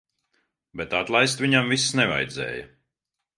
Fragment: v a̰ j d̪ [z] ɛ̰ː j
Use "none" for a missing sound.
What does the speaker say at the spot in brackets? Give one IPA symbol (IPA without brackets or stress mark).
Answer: z